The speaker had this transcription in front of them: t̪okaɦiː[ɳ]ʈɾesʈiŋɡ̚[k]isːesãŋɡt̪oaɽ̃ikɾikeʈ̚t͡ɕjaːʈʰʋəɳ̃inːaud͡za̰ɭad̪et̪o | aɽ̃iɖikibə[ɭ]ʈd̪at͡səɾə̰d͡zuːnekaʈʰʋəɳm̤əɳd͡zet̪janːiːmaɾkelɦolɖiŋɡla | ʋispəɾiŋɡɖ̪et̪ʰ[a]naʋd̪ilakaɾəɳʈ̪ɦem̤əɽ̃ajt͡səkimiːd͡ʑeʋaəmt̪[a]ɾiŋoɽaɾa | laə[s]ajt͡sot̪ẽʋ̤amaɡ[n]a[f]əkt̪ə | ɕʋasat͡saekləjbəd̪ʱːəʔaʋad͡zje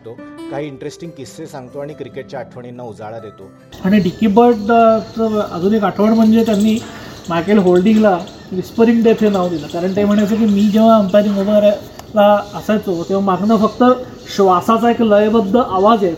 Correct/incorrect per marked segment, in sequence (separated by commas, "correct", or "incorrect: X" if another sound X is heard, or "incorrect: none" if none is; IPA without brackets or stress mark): correct, correct, incorrect: ɾ, incorrect: e, correct, correct, correct, correct